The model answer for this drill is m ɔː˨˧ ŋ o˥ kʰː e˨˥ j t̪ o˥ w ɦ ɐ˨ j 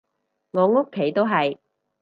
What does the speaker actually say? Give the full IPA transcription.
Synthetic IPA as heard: ŋ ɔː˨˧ ŋ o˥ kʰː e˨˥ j t̪ o˥ w ɦ ɐ˨ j